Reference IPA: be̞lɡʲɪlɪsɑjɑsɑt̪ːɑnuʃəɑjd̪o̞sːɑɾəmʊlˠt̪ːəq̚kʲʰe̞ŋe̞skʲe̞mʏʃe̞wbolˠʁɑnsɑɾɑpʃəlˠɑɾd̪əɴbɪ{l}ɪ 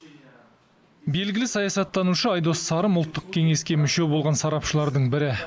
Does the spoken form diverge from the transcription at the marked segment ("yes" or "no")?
yes